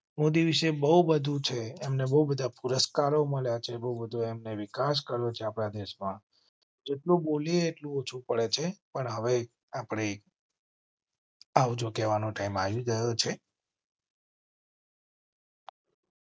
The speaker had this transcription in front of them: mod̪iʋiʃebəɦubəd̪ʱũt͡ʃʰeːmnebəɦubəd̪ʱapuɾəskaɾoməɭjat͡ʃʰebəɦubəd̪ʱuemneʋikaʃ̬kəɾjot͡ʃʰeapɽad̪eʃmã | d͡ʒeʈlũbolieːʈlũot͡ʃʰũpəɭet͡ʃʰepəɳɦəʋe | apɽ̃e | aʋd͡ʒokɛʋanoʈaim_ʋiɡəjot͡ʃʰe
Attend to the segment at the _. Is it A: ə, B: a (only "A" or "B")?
B